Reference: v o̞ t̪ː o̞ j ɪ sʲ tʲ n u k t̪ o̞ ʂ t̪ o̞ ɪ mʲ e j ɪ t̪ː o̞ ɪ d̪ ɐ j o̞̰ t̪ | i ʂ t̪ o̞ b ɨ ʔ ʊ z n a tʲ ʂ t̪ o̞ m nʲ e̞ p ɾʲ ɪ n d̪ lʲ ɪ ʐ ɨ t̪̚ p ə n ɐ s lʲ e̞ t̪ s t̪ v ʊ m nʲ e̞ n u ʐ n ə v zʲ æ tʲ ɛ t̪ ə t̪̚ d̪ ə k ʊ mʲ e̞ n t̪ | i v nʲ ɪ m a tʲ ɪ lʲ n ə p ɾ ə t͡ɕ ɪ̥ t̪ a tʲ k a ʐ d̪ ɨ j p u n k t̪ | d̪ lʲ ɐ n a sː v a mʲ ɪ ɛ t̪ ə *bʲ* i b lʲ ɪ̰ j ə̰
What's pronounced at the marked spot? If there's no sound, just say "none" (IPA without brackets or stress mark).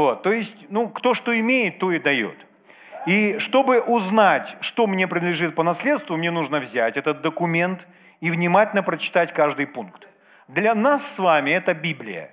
bʲ